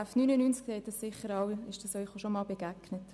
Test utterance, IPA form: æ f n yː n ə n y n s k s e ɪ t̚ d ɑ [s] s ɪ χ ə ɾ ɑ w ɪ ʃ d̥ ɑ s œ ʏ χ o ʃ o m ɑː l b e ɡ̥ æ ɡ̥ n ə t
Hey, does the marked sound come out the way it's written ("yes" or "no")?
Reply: yes